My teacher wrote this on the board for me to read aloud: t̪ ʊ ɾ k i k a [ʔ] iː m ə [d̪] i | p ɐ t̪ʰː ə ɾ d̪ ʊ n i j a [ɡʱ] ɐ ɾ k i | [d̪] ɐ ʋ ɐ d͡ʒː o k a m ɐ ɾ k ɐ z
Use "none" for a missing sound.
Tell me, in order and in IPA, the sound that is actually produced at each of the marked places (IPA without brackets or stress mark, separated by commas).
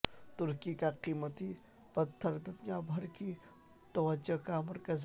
q, t̪, bʱ, t̪